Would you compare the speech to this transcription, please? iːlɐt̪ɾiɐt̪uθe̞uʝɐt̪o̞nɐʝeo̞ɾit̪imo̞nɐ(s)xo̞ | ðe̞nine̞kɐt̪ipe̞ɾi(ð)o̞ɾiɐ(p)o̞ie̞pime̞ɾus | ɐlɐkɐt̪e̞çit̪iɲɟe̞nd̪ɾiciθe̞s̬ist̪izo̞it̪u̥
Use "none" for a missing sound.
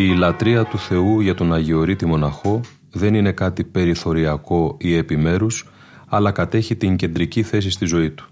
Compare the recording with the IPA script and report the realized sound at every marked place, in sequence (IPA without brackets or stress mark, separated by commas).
none, θ, k